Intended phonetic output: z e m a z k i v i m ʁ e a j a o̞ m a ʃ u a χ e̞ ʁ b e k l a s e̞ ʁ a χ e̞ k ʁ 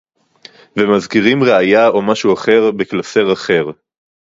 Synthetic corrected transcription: v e m a z k i ʁ i m ʁ e a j a o̞ m a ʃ u a χ e̞ ʁ b e k l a s e̞ ʁ a χ e̞ ʁ